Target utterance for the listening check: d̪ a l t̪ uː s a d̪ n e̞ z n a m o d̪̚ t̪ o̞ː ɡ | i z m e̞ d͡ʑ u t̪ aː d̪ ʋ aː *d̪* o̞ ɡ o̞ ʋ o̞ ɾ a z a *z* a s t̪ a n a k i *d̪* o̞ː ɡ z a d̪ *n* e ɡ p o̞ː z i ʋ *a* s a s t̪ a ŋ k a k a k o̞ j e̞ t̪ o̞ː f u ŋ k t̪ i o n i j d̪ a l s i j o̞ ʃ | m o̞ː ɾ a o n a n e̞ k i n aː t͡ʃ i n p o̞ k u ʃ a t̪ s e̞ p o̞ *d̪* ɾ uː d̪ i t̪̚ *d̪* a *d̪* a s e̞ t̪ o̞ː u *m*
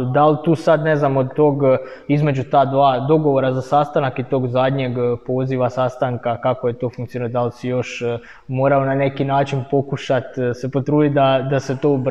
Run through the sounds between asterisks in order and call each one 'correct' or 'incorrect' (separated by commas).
correct, incorrect, incorrect, incorrect, correct, incorrect, correct, correct, incorrect